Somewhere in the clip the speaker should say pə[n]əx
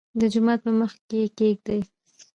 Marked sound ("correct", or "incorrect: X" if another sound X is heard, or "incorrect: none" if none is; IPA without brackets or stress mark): incorrect: m